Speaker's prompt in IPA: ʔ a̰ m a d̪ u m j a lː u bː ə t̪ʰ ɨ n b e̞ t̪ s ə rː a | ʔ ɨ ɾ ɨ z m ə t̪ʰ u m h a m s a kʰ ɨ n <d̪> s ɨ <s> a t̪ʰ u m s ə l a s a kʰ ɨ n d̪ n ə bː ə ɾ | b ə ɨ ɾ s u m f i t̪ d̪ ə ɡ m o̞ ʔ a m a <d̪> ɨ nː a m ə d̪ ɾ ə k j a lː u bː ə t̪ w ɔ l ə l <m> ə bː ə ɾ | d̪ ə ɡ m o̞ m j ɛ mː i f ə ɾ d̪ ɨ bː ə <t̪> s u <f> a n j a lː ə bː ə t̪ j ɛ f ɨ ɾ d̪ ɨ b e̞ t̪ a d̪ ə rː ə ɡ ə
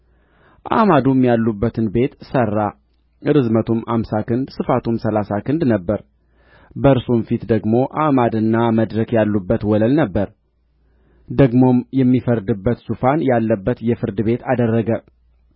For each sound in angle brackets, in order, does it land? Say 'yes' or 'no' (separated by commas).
yes, no, yes, no, yes, yes